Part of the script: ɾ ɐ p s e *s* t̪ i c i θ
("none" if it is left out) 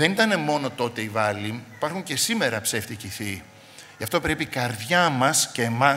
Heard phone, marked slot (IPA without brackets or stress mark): f